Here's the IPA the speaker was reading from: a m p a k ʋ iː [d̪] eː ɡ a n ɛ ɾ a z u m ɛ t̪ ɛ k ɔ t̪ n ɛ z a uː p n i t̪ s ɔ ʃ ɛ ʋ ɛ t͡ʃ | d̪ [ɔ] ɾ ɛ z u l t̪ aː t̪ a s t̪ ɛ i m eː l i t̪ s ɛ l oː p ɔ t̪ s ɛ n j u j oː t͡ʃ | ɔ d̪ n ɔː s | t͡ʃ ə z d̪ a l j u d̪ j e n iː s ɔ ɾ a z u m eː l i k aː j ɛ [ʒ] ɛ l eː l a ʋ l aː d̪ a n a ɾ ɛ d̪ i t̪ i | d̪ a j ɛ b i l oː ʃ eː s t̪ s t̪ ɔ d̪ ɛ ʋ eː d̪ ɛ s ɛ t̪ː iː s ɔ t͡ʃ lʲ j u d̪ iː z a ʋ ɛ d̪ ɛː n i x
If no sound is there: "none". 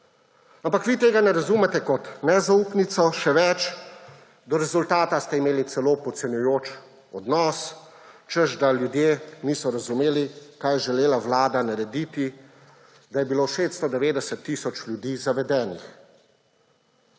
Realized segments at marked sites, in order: t̪, ɔ, ʒ

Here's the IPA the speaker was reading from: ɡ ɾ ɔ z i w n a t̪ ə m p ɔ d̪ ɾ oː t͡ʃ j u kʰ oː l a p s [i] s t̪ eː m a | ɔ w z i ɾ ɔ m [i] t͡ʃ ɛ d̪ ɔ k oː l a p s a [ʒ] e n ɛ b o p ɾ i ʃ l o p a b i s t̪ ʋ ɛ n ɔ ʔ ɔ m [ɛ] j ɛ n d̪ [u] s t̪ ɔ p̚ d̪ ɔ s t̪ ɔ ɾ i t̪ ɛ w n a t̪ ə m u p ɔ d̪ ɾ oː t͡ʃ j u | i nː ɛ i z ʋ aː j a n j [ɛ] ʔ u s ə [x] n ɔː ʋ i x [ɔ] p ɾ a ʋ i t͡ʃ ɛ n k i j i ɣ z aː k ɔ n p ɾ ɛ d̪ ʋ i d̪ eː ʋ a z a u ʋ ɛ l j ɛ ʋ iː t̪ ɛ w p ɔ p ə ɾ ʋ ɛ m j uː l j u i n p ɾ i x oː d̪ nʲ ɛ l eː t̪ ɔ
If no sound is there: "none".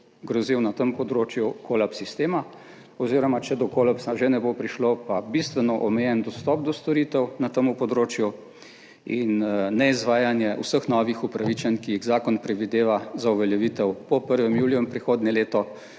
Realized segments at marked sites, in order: i, a, ʒ, ɛ, ɔ, ɛ, x, u

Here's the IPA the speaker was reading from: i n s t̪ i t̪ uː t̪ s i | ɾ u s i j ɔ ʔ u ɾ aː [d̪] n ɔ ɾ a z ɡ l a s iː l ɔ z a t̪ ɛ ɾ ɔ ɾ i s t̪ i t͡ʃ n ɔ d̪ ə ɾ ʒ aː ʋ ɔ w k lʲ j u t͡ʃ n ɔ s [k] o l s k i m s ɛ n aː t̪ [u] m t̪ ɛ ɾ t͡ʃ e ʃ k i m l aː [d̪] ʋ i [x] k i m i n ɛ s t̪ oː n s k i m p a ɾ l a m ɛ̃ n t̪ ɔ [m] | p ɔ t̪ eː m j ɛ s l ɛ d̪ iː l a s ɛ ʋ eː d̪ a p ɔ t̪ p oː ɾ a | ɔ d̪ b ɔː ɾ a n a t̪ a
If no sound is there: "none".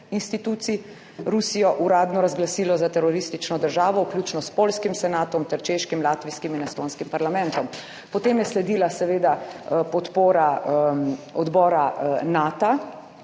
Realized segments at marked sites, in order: d̪, p, ɔ, t̪, s, m

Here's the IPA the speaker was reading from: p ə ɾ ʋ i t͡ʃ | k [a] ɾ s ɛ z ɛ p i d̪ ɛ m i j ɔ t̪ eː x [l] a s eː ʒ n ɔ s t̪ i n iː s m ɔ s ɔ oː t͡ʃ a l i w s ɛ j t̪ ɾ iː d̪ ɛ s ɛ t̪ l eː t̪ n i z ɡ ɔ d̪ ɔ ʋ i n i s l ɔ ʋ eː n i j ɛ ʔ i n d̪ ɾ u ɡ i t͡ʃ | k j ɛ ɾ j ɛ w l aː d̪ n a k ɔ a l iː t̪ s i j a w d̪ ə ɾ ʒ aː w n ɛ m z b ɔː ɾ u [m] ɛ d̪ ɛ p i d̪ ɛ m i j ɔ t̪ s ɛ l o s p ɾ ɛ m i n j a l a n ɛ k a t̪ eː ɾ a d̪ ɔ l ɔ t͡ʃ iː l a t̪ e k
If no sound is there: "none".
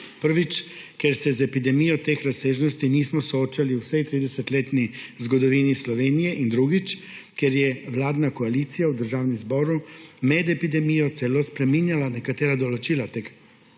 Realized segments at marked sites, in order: ɛ, ɾ, m

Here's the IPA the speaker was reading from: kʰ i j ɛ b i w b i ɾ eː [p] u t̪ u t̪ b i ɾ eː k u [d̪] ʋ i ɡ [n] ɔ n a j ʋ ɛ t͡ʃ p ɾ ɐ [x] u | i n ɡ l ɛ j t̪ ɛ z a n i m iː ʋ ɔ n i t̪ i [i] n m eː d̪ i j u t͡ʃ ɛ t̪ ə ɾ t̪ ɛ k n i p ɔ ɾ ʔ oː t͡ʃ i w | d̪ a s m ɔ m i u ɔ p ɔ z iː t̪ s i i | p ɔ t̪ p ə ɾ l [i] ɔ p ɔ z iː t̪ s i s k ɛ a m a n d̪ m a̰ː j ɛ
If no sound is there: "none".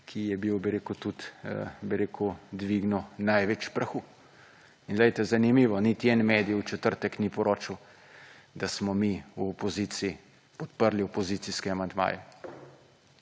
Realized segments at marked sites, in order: k, d̪, n, x, ɛ, i

